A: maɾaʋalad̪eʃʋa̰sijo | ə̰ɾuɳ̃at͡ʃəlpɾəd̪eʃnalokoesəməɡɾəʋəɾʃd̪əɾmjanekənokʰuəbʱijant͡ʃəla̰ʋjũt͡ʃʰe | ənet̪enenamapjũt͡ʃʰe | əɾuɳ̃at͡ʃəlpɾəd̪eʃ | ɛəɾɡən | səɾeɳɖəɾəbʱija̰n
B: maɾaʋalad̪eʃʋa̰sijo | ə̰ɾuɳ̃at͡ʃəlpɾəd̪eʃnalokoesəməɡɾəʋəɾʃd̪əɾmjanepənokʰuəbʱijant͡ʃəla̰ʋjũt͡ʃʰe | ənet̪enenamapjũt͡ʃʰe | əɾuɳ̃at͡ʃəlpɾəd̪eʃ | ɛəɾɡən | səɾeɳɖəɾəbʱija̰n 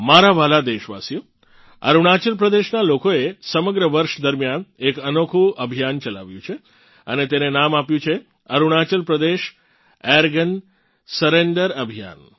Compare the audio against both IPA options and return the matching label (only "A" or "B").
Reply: A